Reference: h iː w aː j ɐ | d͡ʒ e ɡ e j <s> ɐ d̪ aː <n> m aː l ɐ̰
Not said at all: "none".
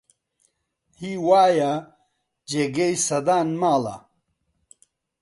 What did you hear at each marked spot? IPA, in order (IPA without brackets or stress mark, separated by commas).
s, n